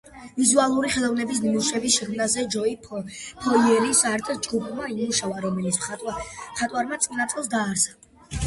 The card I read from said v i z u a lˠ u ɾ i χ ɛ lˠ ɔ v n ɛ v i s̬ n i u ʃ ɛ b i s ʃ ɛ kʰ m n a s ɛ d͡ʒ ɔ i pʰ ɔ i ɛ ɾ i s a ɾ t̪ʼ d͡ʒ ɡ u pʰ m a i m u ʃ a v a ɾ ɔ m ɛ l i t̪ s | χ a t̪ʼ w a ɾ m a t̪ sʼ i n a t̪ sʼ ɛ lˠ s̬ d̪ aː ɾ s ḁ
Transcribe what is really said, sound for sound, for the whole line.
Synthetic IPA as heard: v i z u a lˠ u ɾ i χ ɛ lˠ ɔ v n ɛ b i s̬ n i u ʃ ɛ b i s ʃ ɛ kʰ m n a z ɛ d͡ʒ ɔ i pʰ ɔ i ɛ ɾ i s a ɾ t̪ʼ d͡ʒ ɡ u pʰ m a i m u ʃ a v a ɾ ɔ m ɛ l i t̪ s | χ a t̪ʼ w a ɾ m a t̪ sʼ i n a t̪ sʼ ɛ lˠ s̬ d̪ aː ɾ s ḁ